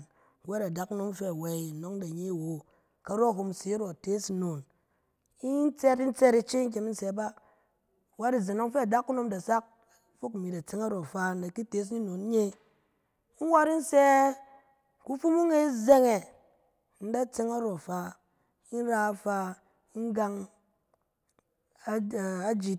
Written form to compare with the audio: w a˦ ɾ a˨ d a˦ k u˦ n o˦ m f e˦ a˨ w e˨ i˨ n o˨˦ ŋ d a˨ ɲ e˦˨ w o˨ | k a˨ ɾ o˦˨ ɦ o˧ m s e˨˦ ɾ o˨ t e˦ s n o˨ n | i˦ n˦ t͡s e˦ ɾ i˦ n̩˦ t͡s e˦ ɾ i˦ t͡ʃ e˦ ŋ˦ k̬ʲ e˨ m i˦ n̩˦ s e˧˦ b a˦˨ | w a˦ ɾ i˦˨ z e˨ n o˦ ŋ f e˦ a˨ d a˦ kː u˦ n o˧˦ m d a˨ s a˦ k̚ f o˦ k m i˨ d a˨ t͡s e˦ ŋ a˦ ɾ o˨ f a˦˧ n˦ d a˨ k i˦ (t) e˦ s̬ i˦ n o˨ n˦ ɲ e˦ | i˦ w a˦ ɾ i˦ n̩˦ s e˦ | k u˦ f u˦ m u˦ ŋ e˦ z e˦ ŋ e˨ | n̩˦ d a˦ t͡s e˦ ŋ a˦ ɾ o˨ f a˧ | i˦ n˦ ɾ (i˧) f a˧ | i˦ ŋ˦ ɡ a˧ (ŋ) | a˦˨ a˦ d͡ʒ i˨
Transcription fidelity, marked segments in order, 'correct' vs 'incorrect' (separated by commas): correct, incorrect, correct